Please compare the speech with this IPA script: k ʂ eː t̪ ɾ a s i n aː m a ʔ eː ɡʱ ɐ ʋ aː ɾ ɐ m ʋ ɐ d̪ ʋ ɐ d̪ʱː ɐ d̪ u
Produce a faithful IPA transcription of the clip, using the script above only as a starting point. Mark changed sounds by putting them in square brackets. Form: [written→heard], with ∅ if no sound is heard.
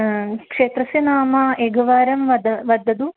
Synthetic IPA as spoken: k ʂ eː t̪ ɾ [a→ɐ] s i n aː m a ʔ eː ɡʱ ɐ ʋ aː ɾ ɐ m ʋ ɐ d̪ ʋ ɐ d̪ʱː ɐ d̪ u